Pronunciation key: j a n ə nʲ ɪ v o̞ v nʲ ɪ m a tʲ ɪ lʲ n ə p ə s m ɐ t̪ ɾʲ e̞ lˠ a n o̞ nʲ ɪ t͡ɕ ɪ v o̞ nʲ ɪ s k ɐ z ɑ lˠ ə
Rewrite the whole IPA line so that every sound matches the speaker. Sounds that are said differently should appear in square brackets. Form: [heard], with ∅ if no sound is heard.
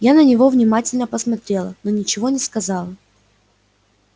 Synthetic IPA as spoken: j a n ə nʲ ɪ v o̞ v nʲ ɪ m a tʲ ɪ lʲ n ə p ə s m ɐ t̪ ɾʲ e̞ lˠ [ə] n o̞ nʲ ɪ t͡ɕ ɪ v o̞ nʲ ɪ s k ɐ z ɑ lˠ ə